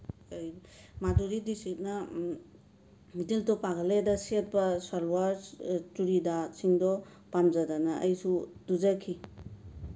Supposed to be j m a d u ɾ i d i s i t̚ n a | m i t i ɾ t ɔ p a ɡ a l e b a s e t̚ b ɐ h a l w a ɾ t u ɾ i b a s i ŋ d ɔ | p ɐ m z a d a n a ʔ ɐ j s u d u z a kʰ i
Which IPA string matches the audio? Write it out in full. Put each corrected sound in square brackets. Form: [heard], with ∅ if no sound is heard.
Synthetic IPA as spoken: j m a d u ɾ i d i s i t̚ n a | m i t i [l] t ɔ p a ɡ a l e [d] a s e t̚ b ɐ [s] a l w a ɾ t u ɾ i [d] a s i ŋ d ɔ | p [a] m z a d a n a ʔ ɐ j s u d u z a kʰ i